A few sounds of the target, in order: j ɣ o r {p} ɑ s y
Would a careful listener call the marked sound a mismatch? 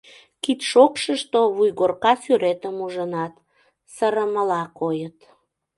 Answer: yes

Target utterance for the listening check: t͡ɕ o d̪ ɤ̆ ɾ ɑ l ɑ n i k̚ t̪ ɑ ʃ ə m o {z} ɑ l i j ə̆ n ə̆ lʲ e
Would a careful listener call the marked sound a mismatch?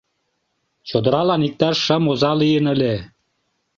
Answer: no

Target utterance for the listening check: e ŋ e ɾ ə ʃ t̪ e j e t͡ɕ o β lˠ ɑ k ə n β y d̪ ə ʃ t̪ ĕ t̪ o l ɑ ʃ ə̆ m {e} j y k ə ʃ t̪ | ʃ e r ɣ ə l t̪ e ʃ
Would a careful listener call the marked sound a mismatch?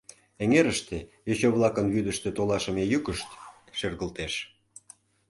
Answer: no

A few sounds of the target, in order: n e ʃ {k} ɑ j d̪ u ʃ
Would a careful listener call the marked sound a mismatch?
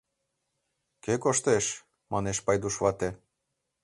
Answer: yes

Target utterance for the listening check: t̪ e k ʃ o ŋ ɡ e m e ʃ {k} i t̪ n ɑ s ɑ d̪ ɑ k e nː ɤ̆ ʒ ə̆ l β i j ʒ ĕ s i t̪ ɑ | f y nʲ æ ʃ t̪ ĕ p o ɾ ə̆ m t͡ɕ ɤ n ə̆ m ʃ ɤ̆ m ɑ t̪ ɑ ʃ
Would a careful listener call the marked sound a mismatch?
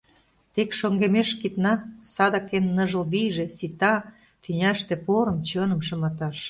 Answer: no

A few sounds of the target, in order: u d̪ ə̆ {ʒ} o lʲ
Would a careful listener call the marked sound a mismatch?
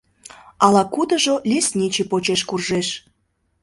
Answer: no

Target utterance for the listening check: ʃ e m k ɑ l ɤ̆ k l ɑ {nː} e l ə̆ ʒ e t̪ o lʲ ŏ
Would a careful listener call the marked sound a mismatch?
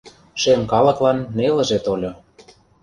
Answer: no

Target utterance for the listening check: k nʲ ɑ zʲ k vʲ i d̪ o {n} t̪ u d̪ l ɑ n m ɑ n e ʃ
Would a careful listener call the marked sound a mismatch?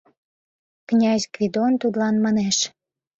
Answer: no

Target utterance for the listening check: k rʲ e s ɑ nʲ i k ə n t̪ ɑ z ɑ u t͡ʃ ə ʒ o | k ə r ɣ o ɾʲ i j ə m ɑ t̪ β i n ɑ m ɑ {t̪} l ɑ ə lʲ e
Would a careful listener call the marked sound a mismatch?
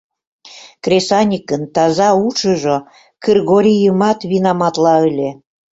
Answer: no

